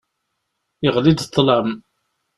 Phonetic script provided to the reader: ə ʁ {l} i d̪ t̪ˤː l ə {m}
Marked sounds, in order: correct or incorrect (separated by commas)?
correct, correct